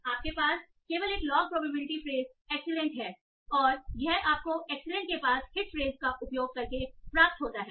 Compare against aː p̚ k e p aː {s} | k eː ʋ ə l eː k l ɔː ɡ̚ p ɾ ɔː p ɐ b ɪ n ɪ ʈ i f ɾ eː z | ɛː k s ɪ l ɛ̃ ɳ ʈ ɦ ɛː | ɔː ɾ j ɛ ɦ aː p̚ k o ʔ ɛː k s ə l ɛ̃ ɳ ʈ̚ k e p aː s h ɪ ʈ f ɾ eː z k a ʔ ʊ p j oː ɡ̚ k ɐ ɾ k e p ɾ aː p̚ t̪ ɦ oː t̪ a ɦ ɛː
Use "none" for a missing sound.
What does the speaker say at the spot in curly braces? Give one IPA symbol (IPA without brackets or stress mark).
s